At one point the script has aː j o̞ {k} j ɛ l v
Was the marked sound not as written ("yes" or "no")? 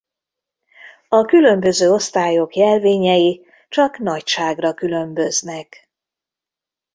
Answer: no